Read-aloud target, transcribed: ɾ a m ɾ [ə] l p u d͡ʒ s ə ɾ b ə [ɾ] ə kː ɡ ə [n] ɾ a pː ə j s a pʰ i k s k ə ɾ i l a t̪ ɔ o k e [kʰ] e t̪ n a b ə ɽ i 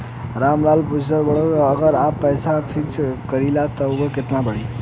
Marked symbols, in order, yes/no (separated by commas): no, no, no, no